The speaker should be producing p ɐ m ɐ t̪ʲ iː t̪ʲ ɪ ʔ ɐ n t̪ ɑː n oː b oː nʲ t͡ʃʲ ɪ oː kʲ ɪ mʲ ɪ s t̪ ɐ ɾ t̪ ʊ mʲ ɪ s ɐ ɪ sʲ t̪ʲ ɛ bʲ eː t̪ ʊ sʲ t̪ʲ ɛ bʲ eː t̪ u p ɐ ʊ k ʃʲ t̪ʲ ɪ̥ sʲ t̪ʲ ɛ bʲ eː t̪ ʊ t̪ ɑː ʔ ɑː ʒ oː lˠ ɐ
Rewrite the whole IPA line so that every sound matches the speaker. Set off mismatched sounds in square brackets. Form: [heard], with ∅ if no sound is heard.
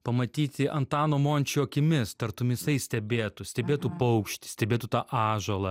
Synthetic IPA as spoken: p ɐ m ɐ t̪ʲ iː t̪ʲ ɪ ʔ ɐ n t̪ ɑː n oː [m] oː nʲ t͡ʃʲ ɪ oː kʲ ɪ mʲ ɪ s t̪ ɐ ɾ t̪ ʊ mʲ ɪ s ɐ ɪ sʲ t̪ʲ ɛ bʲ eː t̪ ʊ sʲ t̪ʲ ɛ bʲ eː t̪ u p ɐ ʊ k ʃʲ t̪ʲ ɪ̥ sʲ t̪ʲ ɛ bʲ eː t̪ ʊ t̪ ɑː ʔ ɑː ʒ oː lˠ ɐ